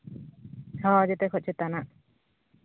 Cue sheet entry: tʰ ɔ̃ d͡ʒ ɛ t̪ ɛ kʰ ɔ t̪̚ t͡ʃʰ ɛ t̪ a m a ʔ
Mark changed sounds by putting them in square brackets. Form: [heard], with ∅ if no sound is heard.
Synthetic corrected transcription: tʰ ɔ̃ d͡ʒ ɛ t̪ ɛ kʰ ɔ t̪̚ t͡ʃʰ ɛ t̪ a [n] a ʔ